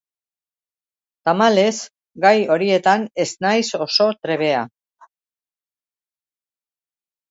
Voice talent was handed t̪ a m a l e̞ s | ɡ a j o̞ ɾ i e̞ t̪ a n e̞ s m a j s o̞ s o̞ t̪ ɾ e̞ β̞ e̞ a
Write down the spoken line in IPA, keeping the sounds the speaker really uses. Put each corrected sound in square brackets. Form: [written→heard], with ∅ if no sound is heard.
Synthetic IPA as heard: t̪ a m a l e̞ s | ɡ a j o̞ ɾ i e̞ t̪ a n e̞ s [m→n] a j s o̞ s o̞ t̪ ɾ e̞ β̞ e̞ a